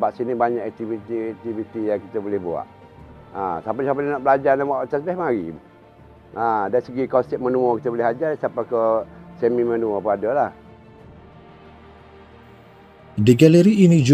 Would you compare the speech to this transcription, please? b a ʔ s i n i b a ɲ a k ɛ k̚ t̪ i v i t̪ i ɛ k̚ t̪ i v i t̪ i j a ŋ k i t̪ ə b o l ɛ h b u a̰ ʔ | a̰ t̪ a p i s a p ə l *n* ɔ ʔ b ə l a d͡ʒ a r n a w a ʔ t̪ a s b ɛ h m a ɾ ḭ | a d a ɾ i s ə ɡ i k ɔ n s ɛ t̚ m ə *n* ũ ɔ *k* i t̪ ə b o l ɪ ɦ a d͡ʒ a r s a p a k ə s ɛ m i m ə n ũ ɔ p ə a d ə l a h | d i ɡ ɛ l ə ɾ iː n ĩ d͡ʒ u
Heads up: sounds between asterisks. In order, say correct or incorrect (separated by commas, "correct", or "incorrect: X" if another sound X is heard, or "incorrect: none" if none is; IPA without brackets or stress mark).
correct, correct, correct